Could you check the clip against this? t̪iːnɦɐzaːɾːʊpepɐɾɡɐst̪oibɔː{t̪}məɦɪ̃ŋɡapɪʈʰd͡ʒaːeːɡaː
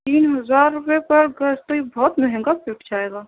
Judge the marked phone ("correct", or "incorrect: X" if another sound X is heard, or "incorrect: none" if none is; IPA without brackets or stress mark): correct